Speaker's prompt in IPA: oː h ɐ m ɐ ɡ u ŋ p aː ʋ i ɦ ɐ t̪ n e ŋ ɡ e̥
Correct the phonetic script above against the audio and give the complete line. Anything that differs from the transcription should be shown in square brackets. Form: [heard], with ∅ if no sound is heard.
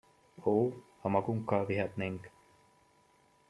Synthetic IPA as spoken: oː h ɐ m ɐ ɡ u ŋ [k] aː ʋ i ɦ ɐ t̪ n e ŋ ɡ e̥